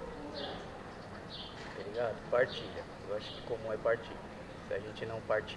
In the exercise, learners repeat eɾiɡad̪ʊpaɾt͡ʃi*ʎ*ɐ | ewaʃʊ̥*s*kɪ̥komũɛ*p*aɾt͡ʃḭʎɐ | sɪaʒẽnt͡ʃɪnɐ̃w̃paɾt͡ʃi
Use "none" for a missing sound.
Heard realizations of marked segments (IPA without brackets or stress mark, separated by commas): ʎ, none, p